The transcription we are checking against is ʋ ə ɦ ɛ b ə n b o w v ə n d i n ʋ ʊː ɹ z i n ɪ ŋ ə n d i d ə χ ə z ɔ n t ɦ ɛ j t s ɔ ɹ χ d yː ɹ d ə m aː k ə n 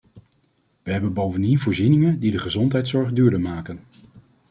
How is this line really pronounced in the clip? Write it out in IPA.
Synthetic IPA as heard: ʋ ə ɦ ɛ b ə n b o w v ə n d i n v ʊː ɹ z i n ɪ ŋ ə n d i d ə χ ə z ɔ n t ɦ ɛ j t s ɔ ɹ χ d yː ɹ d ə m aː k ə n